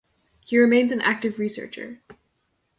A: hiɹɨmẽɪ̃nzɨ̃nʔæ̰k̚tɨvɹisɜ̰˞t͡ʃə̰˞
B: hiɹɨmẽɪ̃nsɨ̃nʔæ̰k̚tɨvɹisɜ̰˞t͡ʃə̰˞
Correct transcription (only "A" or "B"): A